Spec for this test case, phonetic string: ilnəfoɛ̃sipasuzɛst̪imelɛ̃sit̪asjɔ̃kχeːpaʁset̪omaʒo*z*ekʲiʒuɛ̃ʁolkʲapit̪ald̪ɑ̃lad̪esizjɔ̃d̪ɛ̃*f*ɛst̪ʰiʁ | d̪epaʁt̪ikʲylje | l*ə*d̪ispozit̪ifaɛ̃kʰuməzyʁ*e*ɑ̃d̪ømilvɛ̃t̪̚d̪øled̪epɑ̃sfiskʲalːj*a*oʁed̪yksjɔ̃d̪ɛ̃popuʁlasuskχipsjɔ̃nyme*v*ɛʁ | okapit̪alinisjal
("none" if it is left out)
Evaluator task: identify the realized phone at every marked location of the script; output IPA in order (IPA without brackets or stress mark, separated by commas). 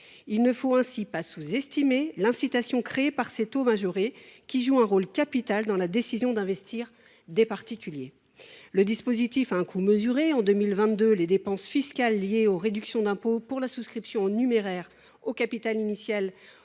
ʁ, v, ə, e, e, ʁ